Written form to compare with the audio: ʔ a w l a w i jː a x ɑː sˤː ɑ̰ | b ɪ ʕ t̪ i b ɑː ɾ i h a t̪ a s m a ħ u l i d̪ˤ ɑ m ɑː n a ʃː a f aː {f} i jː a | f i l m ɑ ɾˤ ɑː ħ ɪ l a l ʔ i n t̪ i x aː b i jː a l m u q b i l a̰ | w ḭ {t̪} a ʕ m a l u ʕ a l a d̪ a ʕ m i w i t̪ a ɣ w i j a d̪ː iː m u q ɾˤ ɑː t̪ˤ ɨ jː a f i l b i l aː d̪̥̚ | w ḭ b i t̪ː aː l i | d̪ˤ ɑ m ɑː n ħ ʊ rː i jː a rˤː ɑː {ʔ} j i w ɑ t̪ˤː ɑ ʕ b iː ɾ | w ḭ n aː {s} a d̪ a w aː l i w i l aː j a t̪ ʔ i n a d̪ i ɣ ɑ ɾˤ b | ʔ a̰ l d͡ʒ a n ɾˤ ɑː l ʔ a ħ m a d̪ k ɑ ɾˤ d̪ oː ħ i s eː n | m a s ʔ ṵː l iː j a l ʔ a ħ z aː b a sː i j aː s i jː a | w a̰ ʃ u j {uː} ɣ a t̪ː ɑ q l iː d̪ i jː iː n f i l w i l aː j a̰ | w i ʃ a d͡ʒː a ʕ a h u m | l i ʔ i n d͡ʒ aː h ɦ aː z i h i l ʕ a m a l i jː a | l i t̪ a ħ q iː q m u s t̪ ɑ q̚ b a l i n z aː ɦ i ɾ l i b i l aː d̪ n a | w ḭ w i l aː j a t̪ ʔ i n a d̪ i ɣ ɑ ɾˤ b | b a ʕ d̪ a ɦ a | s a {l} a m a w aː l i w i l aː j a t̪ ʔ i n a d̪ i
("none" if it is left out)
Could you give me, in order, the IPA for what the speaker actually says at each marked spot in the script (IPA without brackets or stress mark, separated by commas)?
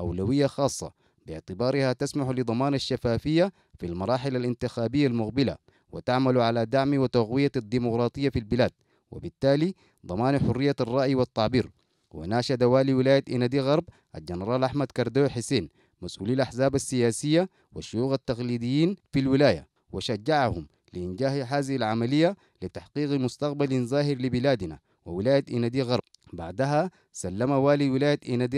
f, t̪, ʔ, ʃ, uː, lː